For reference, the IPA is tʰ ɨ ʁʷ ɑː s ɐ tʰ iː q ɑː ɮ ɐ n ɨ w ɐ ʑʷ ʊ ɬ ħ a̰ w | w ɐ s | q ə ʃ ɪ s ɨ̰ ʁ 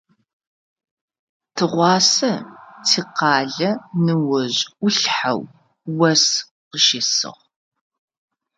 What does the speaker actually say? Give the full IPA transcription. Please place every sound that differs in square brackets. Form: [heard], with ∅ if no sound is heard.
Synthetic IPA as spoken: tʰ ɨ ʁʷ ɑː s ɐ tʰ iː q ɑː ɮ ɐ n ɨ w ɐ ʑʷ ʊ ɬ ħ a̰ w | w ɐ s | q ə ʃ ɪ s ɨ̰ ʁ